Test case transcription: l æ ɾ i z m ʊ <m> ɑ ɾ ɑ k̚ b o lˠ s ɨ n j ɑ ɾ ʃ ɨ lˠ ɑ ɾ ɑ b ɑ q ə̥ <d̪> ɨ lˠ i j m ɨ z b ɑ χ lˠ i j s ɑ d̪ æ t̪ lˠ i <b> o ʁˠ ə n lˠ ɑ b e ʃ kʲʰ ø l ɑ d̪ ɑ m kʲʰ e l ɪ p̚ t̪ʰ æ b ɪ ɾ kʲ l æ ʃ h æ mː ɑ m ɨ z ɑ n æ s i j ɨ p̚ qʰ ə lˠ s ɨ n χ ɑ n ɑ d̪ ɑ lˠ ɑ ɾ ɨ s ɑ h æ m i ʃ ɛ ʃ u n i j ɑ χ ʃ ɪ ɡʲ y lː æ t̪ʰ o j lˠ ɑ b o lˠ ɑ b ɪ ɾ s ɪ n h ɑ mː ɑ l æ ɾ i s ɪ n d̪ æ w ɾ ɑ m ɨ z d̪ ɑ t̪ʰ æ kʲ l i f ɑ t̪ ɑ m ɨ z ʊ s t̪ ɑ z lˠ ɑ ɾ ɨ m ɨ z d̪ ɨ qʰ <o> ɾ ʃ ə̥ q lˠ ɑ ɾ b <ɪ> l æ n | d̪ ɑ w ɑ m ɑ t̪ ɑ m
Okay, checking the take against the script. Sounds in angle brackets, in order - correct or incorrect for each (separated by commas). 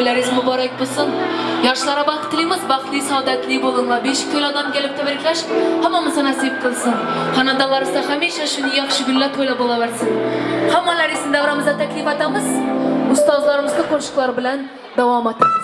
incorrect, incorrect, correct, correct, correct